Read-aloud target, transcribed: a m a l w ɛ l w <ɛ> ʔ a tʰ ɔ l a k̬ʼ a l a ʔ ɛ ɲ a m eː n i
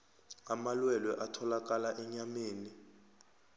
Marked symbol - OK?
yes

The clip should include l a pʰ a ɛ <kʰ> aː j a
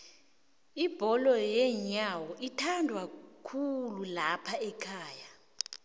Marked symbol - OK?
yes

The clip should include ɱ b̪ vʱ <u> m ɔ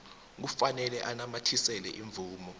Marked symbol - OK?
no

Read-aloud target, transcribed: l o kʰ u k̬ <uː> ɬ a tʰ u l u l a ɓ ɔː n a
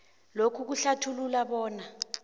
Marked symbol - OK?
no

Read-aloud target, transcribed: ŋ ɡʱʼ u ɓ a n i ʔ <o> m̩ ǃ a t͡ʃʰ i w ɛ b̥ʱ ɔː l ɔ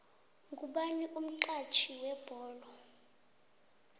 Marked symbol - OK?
no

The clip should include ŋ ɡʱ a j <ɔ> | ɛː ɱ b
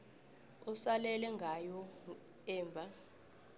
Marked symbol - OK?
yes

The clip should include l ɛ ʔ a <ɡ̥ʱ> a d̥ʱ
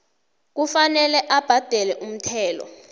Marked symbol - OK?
no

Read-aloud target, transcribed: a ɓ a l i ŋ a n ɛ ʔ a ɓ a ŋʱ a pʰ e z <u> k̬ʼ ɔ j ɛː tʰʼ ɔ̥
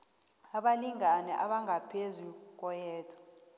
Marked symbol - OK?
yes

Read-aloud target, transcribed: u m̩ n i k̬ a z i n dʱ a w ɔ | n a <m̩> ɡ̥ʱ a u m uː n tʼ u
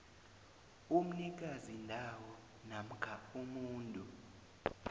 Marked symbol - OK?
yes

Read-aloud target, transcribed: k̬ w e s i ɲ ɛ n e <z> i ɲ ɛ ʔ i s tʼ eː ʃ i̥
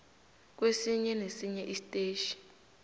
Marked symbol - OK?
no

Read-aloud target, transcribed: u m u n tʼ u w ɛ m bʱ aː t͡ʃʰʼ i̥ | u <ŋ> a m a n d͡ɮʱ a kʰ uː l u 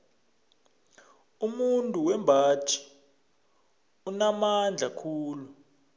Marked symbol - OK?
no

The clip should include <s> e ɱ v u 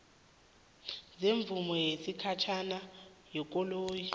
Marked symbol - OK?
no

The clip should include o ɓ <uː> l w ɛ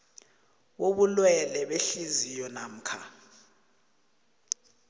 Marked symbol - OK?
no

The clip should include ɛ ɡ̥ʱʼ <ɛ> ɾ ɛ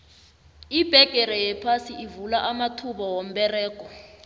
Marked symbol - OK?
yes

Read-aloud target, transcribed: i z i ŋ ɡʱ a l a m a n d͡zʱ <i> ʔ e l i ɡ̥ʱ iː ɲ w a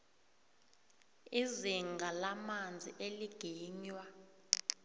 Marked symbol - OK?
yes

